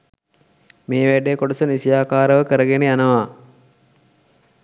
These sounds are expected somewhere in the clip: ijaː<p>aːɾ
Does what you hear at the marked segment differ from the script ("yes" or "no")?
yes